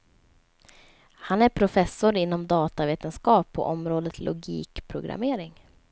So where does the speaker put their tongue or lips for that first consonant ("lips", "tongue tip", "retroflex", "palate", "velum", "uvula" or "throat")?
throat